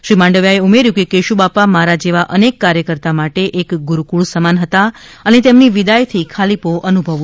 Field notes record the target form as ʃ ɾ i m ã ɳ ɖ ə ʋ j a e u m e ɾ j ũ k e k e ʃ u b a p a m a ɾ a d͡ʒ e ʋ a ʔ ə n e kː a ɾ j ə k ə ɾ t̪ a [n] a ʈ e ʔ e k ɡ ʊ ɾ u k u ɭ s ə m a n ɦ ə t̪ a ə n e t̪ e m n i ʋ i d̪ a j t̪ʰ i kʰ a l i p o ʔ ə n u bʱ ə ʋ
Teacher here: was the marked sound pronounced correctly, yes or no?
no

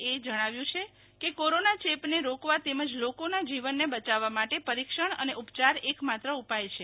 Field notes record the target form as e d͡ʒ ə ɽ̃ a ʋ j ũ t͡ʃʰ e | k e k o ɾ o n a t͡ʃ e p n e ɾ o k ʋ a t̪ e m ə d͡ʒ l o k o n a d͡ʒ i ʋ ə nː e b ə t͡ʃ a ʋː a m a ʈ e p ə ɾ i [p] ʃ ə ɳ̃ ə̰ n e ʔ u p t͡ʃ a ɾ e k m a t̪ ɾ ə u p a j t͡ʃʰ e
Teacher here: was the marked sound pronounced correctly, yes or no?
no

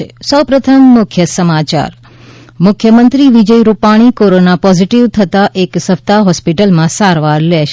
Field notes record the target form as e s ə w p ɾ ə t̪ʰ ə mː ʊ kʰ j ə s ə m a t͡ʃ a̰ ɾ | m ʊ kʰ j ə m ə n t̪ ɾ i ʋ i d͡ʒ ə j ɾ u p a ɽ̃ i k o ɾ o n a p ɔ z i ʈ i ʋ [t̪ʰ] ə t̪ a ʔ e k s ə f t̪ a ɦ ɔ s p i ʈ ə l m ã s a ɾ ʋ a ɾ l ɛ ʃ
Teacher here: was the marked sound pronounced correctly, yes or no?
yes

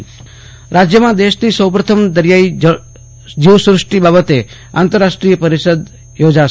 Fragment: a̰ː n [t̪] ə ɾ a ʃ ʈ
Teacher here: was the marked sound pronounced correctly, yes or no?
yes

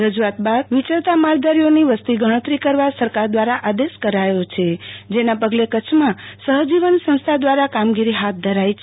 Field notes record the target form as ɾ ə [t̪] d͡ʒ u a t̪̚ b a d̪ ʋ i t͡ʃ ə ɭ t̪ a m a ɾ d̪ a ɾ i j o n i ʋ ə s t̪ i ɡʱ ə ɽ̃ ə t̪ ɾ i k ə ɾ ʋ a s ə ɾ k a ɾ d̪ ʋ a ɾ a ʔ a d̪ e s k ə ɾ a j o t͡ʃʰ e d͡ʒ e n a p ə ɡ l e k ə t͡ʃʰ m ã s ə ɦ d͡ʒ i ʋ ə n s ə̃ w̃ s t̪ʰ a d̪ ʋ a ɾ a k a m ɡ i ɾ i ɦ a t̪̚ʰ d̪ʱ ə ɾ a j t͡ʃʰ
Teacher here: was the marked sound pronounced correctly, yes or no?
no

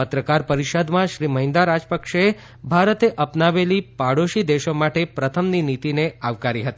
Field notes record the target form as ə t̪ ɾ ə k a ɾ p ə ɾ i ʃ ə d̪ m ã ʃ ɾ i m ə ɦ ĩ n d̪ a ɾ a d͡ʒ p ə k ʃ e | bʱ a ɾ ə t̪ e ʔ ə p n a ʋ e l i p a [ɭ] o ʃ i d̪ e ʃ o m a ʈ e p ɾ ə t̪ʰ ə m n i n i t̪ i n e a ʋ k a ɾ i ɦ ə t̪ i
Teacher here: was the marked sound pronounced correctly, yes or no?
no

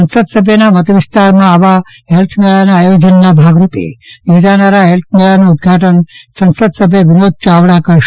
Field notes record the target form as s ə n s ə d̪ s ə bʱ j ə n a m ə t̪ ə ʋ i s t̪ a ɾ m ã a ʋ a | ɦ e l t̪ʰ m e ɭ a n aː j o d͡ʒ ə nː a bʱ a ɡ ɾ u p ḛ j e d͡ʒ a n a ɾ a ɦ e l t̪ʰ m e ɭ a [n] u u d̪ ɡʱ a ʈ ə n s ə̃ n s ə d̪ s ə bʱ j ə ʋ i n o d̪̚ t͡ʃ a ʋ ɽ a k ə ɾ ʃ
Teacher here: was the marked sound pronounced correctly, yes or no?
yes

